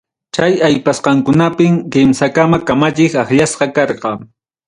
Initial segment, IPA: t͡ʃ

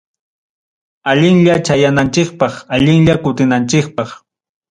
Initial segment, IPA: a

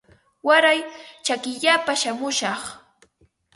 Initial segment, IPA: w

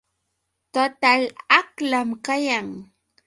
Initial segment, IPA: t̪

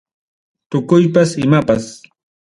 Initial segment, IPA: t̪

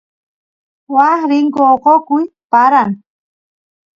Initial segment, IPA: w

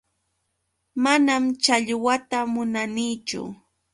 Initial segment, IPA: m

